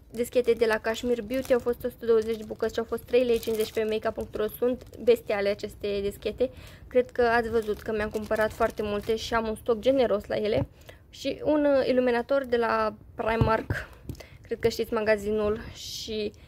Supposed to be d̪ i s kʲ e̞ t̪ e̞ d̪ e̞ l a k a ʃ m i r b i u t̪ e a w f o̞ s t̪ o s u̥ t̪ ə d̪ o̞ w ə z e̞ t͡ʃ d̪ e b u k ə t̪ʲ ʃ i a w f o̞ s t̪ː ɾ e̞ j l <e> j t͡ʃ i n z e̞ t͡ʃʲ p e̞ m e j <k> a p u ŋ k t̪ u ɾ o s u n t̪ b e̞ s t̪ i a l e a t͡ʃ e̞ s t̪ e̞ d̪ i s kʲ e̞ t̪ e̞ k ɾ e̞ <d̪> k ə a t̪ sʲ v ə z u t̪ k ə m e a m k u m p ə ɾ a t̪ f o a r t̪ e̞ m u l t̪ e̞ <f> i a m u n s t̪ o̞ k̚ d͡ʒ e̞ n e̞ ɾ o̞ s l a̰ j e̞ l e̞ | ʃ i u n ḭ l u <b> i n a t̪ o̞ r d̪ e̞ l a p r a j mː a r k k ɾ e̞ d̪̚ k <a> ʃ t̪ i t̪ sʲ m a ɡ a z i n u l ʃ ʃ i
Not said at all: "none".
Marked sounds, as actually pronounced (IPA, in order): e, k, d̪, ʃ, m, ə

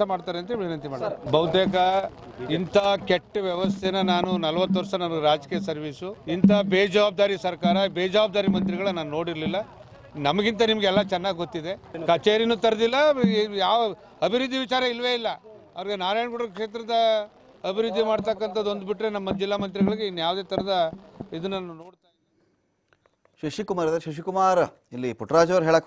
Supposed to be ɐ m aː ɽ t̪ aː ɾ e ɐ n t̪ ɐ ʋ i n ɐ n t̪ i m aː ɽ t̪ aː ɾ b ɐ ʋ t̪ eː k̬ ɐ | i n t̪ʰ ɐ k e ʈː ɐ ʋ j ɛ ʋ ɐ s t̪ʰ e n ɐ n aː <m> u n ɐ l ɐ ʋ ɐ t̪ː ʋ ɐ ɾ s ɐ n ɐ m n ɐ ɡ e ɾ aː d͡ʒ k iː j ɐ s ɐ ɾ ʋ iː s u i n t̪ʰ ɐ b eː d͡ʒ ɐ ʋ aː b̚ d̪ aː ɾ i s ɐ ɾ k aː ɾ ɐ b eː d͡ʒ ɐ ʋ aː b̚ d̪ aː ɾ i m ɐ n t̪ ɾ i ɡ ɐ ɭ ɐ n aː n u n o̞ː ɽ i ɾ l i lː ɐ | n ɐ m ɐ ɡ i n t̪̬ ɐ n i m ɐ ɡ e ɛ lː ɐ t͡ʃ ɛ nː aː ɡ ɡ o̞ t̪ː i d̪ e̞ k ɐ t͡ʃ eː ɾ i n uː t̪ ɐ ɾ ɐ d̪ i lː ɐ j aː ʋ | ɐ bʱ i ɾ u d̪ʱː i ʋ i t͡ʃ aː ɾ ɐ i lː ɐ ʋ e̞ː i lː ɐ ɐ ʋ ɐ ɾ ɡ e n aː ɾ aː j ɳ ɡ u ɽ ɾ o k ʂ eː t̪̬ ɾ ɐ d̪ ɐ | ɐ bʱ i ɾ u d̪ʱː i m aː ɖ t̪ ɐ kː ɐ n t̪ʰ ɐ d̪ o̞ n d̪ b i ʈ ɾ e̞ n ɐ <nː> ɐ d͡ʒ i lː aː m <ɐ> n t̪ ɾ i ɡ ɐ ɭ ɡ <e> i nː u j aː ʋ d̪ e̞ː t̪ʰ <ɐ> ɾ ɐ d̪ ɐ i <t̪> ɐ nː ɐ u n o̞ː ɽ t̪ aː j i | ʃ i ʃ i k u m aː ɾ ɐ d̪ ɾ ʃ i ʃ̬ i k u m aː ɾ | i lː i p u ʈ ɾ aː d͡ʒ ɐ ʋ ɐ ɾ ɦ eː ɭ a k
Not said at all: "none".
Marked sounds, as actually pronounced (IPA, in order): n, mː, ɐ, e, ɐ, d̪

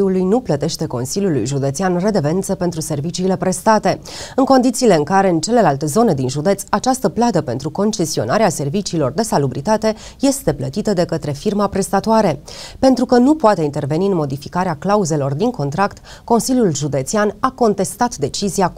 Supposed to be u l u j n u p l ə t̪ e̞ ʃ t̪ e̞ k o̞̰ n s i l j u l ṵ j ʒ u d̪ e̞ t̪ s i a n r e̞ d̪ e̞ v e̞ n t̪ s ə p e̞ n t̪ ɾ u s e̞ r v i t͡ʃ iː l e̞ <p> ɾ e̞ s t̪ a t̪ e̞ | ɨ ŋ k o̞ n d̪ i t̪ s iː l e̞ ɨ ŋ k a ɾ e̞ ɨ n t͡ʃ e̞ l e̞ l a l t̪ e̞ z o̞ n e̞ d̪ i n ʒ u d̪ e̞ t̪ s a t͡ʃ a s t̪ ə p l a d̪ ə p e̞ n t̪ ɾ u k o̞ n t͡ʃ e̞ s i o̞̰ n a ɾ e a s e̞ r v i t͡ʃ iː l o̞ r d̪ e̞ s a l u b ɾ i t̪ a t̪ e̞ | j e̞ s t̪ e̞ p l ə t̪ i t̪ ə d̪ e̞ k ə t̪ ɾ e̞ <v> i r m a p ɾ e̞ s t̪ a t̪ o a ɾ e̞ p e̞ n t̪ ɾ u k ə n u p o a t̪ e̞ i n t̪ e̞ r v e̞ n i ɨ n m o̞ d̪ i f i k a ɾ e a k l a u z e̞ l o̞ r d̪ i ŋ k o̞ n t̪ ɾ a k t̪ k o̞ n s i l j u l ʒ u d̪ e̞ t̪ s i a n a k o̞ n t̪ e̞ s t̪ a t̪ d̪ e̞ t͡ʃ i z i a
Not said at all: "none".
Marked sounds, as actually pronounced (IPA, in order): p, f

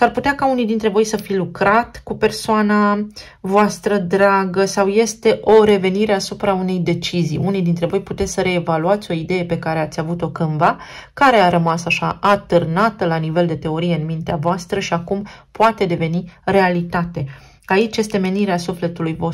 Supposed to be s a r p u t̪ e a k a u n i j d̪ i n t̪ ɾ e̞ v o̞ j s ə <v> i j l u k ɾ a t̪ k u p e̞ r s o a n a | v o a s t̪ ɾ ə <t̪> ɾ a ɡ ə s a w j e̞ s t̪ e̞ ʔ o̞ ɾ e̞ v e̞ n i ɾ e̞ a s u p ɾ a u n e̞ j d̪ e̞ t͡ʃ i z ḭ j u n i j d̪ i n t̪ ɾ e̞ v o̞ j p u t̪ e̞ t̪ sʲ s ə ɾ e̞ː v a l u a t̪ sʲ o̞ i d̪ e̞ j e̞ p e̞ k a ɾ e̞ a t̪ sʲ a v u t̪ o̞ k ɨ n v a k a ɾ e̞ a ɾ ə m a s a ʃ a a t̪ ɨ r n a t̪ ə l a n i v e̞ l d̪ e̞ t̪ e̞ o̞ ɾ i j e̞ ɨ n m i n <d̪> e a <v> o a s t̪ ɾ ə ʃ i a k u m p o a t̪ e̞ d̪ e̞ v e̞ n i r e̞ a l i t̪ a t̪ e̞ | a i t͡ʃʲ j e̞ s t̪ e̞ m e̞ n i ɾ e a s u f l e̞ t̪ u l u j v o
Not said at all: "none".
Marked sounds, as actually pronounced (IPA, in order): f, d̪, t̪, v

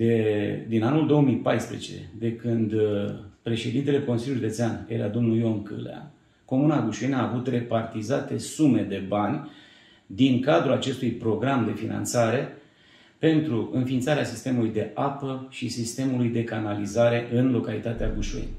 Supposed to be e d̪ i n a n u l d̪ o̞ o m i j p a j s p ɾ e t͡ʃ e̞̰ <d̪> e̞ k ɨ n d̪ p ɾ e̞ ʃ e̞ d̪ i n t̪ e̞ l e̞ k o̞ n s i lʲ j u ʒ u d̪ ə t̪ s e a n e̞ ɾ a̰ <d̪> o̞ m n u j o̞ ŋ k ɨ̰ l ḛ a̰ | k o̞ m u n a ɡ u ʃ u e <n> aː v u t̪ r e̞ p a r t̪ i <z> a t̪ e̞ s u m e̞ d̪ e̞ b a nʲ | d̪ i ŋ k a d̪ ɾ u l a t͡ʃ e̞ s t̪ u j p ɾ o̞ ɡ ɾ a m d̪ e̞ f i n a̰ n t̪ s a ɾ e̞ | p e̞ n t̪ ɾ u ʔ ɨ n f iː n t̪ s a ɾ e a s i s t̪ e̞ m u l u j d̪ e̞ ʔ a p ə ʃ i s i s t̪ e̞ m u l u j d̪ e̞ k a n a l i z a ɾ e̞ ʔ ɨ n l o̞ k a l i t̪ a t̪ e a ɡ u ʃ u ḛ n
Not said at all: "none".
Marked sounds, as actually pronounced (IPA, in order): d̪, d̪, n, z

